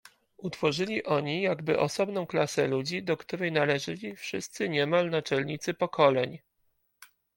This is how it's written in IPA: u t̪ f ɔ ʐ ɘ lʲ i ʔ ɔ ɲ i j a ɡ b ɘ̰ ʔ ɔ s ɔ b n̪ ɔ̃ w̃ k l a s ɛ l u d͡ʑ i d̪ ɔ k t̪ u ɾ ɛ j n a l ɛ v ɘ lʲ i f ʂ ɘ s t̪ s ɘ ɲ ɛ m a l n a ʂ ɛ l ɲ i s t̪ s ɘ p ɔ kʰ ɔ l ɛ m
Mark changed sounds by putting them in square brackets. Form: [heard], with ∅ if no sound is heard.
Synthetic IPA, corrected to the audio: u t̪ f ɔ ʐ ɘ lʲ i ʔ ɔ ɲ i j a ɡ b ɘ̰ ʔ ɔ s ɔ b n̪ ɔ̃ w̃ k l a s ɛ l u d͡ʑ i d̪ ɔ k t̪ u ɾ ɛ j n a l ɛ [ʐ] ɘ lʲ i f ʂ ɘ s t̪ s ɘ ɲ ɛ m a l n a [t͡ʂ] ɛ l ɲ i [∅] t̪ s ɘ p ɔ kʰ ɔ l ɛ [ɲ]